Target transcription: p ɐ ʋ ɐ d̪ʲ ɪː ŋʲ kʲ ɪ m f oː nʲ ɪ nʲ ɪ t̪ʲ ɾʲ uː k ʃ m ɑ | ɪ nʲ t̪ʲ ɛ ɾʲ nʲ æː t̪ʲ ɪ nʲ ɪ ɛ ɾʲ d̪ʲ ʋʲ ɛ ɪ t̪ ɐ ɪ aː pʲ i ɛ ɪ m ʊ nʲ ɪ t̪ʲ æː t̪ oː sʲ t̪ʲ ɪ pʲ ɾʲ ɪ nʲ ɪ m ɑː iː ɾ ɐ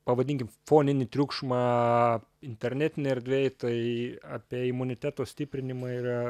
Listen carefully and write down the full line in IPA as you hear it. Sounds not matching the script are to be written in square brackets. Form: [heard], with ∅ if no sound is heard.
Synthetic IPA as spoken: p ɐ ʋ ɐ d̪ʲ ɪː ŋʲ kʲ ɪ m f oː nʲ ɪ nʲ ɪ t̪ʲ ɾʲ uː k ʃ m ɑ | ɪ nʲ t̪ʲ ɛ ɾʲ nʲ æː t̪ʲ ɪ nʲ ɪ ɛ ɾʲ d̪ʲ ʋʲ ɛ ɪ t̪ ɐ ɪ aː pʲ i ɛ ɪ m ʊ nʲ ɪ t̪ʲ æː t̪ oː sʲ t̪ʲ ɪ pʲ ɾʲ ɪ nʲ ɪ m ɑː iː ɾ ɐ

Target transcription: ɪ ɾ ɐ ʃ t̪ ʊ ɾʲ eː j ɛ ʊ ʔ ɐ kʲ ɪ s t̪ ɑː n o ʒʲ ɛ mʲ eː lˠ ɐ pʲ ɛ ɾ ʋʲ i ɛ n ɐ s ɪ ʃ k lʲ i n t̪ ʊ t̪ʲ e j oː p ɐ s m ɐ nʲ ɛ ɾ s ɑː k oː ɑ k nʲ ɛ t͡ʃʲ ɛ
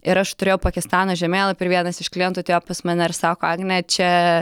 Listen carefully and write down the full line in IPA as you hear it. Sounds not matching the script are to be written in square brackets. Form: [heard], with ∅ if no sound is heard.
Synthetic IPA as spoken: ɪ ɾ ɐ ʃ t̪ ʊ ɾʲ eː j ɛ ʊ [p] ɐ kʲ ɪ s t̪ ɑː n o ʒʲ ɛ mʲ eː lˠ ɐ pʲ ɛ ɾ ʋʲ i ɛ n ɐ s ɪ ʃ k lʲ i n t̪ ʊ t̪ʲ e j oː p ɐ s m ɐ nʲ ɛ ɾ s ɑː k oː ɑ [ɡ] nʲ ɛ t͡ʃʲ ɛ

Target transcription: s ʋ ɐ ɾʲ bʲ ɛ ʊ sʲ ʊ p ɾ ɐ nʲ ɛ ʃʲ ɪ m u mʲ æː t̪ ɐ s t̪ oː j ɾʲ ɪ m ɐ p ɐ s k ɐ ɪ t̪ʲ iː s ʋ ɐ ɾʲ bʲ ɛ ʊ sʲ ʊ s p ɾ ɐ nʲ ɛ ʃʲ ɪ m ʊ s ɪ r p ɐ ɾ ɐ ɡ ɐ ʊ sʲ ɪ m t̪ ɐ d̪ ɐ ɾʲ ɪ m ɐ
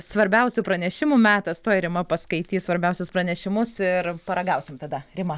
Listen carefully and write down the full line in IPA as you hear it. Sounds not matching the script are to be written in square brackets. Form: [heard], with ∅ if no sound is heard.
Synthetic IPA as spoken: s ʋ ɐ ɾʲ bʲ ɛ ʊ sʲ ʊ p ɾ ɐ nʲ ɛ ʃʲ ɪ m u mʲ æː t̪ ɐ s t̪ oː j ɾʲ ɪ m ɐ p ɐ s k ɐ ɪ t̪ʲ iː s ʋ ɐ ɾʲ bʲ ɛ ʊ sʲ ʊ s p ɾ ɐ nʲ ɛ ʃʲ ɪ m ʊ s ɪ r p ɐ ɾ ɐ ɡ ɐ ʊ sʲ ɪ m t̪ ɐ d̪ ɐ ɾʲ ɪ m ɐ

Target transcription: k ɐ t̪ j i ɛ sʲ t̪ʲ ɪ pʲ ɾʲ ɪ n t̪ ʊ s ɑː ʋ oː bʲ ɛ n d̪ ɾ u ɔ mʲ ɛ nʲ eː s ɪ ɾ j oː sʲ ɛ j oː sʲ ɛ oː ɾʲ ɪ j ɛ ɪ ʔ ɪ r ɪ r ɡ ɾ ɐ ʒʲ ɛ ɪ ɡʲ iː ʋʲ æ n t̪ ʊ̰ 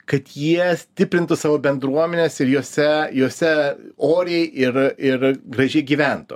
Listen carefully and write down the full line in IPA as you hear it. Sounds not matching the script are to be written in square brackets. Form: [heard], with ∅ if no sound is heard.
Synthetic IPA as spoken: k ɐ t̪ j i ɛ sʲ t̪ʲ ɪ pʲ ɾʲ ɪ n t̪ ʊ s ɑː ʋ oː bʲ ɛ n d̪ ɾ u ɔ mʲ ɛ nʲ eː s ɪ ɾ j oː sʲ ɛ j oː sʲ ɛ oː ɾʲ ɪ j ɛ ɪ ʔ ɪ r ɪ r ɡ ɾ ɐ ʒʲ ɛ ɪ ɡʲ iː ʋʲ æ n t̪ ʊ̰

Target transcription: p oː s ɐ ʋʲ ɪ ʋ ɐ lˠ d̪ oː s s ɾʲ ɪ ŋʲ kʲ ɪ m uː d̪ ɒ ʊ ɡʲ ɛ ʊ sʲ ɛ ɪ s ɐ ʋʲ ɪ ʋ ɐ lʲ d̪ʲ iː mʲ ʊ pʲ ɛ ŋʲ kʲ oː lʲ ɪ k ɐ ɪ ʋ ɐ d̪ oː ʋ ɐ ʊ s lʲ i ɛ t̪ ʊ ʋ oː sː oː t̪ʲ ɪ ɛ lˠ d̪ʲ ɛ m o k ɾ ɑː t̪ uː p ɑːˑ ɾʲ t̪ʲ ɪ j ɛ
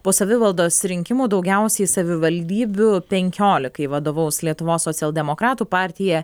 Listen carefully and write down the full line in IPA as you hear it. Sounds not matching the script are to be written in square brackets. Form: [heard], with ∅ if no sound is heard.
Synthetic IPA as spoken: p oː s ɐ ʋʲ ɪ ʋ ɐ lˠ d̪ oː s s ɾʲ ɪ ŋʲ kʲ ɪ m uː d̪ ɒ ʊ ɡʲ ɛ ʊ sʲ ɛ ɪ s ɐ ʋʲ ɪ ʋ ɐ lʲ d̪ʲ iː [bʲ] ʊ pʲ ɛ ŋʲ kʲ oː lʲ ɪ k ɐ ɪ ʋ ɐ d̪ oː ʋ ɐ ʊ s lʲ i ɛ t̪ ʊ ʋ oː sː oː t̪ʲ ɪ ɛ lˠ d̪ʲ ɛ m o k ɾ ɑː t̪ uː p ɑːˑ ɾʲ t̪ʲ ɪ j ɛ

